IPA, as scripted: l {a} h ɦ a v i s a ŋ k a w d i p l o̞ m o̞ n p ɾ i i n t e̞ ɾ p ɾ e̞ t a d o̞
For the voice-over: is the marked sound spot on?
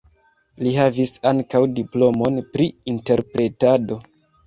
no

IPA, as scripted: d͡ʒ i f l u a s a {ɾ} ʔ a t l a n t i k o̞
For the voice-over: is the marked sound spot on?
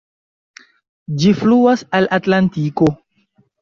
no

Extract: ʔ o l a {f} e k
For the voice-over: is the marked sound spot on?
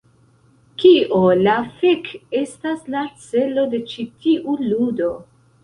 yes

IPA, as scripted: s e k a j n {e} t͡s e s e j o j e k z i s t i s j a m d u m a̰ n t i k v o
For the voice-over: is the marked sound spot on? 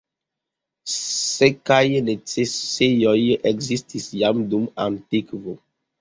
yes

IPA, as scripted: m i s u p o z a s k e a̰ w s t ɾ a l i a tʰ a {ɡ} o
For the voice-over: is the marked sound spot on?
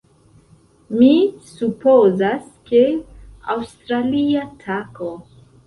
no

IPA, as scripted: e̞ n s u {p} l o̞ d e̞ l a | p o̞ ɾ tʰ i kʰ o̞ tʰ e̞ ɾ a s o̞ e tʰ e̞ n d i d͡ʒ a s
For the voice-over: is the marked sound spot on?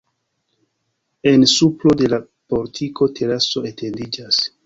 yes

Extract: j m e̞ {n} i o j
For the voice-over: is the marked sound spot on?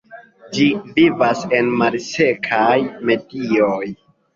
no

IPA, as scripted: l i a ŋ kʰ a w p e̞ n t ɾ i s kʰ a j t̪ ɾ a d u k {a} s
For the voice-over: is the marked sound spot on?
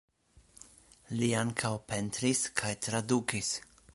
no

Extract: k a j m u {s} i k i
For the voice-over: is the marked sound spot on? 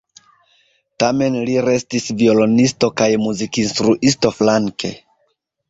no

